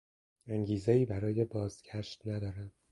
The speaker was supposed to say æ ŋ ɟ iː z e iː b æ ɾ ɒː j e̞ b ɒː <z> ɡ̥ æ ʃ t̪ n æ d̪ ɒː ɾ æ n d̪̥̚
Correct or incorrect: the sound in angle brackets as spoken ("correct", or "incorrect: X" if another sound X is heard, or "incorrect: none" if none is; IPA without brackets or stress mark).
correct